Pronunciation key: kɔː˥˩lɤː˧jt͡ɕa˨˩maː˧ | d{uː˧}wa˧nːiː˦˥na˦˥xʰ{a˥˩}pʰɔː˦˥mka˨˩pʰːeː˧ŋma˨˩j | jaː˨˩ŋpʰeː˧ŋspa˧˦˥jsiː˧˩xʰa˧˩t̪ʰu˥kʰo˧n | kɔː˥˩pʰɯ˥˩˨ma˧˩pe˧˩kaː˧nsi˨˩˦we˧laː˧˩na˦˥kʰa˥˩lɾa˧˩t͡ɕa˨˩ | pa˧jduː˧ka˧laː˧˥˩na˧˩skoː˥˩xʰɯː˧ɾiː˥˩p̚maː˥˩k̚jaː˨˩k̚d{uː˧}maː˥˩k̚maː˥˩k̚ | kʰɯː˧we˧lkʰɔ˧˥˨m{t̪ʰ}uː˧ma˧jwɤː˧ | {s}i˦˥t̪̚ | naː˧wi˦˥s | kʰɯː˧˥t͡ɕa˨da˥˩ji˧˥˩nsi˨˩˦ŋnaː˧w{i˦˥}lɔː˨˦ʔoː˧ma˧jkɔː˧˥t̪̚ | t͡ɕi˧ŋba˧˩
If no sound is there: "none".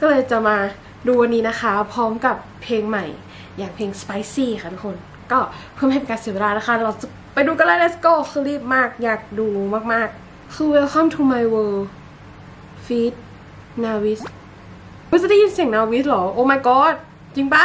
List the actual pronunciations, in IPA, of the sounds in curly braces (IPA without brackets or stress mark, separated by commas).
uː˧, a˦˥, uː˧, t̪ʰ, f, i˦˥